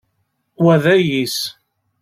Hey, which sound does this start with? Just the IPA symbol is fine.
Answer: w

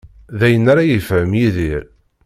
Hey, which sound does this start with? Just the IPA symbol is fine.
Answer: ð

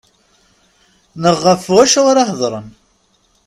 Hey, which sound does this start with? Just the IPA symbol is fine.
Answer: n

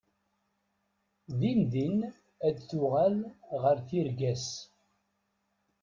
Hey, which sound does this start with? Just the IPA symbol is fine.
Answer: ð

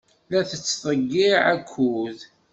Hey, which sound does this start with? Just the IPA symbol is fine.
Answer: l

